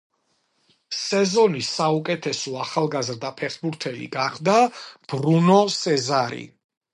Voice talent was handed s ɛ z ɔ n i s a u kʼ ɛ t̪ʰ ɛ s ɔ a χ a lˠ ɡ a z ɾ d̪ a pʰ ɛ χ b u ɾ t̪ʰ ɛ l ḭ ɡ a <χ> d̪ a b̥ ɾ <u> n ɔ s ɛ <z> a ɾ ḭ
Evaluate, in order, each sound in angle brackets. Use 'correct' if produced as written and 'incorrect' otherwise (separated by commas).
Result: correct, correct, correct